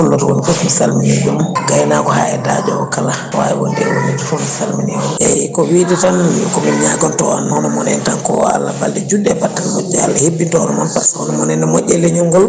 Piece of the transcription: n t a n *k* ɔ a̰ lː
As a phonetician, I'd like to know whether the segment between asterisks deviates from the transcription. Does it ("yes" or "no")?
no